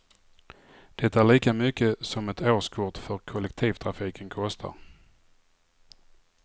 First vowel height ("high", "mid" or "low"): mid